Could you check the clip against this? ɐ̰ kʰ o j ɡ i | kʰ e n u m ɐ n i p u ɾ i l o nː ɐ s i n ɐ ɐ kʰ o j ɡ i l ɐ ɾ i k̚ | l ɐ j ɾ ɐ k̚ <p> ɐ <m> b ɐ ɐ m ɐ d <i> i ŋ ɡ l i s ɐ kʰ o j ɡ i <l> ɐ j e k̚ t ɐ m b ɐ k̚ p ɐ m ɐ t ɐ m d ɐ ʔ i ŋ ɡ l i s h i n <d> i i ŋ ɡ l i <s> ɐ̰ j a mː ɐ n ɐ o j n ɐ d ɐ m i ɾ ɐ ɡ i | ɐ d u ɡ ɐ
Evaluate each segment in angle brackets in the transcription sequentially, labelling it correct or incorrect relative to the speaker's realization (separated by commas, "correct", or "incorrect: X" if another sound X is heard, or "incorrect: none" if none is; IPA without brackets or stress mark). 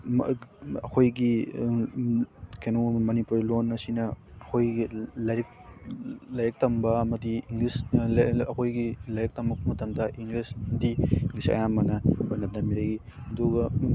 incorrect: t, correct, correct, correct, correct, correct